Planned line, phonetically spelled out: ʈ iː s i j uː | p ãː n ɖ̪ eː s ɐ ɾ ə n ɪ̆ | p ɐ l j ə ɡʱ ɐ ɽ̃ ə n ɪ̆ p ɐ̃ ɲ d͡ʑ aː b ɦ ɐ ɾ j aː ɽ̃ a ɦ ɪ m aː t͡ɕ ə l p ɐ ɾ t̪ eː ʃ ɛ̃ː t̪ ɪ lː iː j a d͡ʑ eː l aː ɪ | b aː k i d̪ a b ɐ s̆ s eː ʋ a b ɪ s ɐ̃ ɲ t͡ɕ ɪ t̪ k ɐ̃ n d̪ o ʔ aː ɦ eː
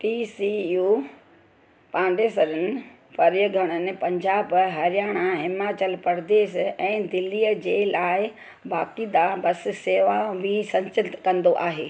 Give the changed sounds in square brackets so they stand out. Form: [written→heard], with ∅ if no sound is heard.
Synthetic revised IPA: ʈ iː s i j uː | p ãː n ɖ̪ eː s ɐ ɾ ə n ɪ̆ | p ɐ [l→ɾ] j ə ɡʱ ɐ ɽ̃ ə n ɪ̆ p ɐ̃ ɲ d͡ʑ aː b ɦ ɐ ɾ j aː ɽ̃ a ɦ ɪ m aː t͡ɕ ə l p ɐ ɾ [t̪→d̪] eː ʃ ɛ̃ː [t̪→d̪] ɪ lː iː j [a→ə] d͡ʑ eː l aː ɪ | b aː k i d̪ a b ɐ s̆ s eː ʋ a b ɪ s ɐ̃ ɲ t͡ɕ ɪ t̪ k ɐ̃ n d̪ o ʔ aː ɦ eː